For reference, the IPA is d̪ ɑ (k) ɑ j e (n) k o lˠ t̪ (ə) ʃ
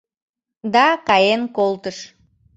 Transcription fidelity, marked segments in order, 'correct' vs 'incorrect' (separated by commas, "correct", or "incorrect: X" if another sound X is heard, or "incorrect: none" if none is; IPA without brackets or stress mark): correct, correct, correct